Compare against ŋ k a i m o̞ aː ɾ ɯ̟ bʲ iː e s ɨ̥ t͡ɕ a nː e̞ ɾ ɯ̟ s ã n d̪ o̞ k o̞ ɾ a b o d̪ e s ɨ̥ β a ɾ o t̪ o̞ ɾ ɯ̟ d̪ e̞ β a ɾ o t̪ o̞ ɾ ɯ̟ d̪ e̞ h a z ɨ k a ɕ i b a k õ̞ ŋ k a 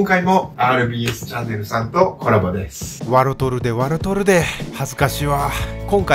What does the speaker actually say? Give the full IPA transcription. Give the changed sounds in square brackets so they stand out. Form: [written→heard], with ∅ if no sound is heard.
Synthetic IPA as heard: ŋ k a i m o̞ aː ɾ ɯ̟ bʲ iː e s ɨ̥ t͡ɕ a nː e̞ ɾ ɯ̟ s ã n [d̪→t̪] o̞ k o̞ ɾ a b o d̪ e s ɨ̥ β a ɾ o t̪ o̞ ɾ ɯ̟ d̪ e̞ β a ɾ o t̪ o̞ ɾ ɯ̟ d̪ e̞ h a z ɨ k a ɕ i [b→β] a k õ̞ ŋ k a

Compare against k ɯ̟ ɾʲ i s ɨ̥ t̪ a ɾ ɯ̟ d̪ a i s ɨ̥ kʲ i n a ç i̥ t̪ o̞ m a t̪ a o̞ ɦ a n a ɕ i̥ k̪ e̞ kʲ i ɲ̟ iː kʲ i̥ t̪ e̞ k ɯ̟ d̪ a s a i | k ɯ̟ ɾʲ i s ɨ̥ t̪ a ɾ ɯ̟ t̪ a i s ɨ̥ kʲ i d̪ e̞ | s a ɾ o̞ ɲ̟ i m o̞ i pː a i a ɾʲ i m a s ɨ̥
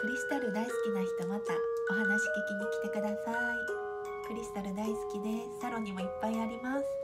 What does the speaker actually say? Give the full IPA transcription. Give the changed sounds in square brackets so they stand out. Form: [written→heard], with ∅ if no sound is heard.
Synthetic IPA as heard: k ɯ̟ ɾʲ i s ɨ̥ t̪ a ɾ ɯ̟ d̪ a i s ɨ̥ kʲ i n a ç i̥ t̪ o̞ m a t̪ a o̞ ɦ a n a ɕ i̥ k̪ e̞ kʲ i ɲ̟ [iː→i] kʲ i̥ t̪ e̞ k ɯ̟ d̪ a s a i | k ɯ̟ ɾʲ i s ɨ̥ t̪ a ɾ ɯ̟ [t̪→d̪] a i s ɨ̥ kʲ i d̪ e̞ | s a ɾ o̞ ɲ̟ i m o̞ i pː a i a ɾʲ i m a s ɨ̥

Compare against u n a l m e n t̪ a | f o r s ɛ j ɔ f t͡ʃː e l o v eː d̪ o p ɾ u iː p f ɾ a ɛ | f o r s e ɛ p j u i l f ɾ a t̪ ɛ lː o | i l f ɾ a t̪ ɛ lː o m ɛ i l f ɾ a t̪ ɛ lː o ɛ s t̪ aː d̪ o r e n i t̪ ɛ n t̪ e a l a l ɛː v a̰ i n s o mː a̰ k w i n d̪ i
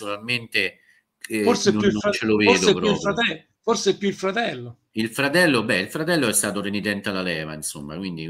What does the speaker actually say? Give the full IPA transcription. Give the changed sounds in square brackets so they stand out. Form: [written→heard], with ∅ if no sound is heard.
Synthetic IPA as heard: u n a l m e n t̪ [a→e] | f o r s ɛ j [ɔ→u] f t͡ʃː e l o v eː d̪ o p ɾ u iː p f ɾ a ɛ | f o r s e ɛ p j u i l f ɾ a t̪ ɛ lː o | i l f ɾ a t̪ ɛ lː o [m→b] ɛ i l f ɾ a t̪ ɛ lː o ɛ s t̪ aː [d̪→t̪] o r e n i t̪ ɛ n t̪ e a l a l ɛː v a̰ i n s o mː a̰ k w i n d̪ i

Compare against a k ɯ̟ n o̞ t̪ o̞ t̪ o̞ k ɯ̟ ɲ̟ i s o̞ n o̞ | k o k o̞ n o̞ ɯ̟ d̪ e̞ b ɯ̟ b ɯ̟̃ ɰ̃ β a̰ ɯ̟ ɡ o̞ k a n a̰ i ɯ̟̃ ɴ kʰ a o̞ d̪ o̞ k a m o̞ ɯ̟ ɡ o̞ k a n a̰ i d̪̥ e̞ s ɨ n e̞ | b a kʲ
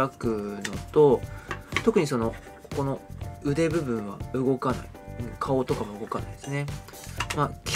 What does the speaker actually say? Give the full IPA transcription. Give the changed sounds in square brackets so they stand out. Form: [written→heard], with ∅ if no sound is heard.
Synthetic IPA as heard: a k ɯ̟ n o̞ t̪ o̞ t̪ o̞ k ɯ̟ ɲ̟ i s o̞ n o̞ | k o k o̞ n o̞ ɯ̟ d̪ e̞ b ɯ̟ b ɯ̟̃ ɰ̃ β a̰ ɯ̟ ɡ o̞ k a n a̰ i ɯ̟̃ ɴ kʰ a o̞ [d̪→t̪] o̞ k a m o̞ ɯ̟ ɡ o̞ k a n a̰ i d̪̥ e̞ s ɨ n e̞ | [b→m] a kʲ

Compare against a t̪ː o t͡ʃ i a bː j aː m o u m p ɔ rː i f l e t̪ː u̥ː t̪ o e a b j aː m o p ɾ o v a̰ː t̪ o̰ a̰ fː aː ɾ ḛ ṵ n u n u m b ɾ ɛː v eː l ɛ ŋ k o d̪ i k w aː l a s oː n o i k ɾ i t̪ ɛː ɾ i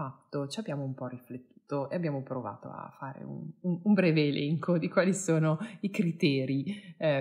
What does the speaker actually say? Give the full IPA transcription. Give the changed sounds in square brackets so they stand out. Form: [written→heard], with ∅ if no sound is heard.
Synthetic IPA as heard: a t̪ː o t͡ʃ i a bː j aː m o u m p ɔ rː i f l e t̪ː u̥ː t̪ o e a b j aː m o p ɾ o v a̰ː t̪ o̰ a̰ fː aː ɾ ḛ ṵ n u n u m b ɾ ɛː v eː l ɛ ŋ k o d̪ i k w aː l [a→i] s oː n o i k ɾ i t̪ ɛː ɾ i

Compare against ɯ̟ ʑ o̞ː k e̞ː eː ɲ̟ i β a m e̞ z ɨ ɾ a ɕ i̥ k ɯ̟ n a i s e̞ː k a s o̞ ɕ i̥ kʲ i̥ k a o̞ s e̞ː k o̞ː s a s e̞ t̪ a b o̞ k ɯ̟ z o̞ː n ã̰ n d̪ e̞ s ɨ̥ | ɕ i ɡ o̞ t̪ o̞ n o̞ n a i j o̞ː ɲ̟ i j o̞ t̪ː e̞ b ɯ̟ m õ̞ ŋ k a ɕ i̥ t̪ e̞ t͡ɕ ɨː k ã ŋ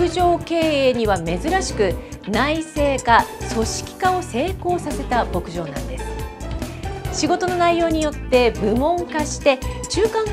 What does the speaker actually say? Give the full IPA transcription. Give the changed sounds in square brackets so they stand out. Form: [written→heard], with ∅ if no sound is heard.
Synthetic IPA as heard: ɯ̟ ʑ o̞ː k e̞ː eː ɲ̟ i β a m e̞ z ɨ ɾ a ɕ i̥ k ɯ̟ n a i s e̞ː k a s o̞ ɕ i̥ kʲ i̥ k a o̞ s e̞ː k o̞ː s a s e̞ t̪ a b o̞ k ɯ̟ [z→ʑ] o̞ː n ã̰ n d̪ e̞ s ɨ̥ | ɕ i ɡ o̞ t̪ o̞ n o̞ n a i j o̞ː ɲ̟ i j o̞ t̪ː e̞ b ɯ̟ m õ̞ ŋ k a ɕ i̥ t̪ e̞ t͡ɕ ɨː k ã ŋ

